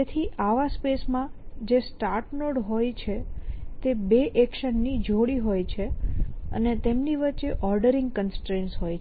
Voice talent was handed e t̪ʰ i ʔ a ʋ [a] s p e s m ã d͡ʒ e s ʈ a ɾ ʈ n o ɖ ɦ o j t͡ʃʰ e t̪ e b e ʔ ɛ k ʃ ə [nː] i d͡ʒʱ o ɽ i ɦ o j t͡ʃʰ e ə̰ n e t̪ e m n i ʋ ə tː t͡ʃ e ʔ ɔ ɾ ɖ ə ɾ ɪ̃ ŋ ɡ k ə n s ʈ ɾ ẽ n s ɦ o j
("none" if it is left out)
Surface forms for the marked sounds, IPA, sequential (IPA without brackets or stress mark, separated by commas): a, nː